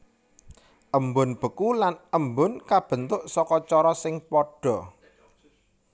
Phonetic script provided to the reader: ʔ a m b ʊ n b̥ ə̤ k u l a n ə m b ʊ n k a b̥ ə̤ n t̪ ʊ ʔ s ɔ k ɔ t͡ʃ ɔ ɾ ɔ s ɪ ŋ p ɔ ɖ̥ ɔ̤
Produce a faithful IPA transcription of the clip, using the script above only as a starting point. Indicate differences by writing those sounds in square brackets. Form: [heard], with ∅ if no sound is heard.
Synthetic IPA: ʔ [ə] m b ʊ n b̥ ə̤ k u l a n ə m b ʊ n k a b̥ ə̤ n t̪ ʊ ʔ s ɔ k ɔ t͡ʃ ɔ ɾ ɔ s ɪ ŋ p ɔ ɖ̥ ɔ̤